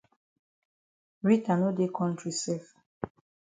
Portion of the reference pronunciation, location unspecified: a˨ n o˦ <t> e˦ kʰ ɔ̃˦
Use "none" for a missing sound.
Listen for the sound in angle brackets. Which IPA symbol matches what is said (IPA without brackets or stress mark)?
d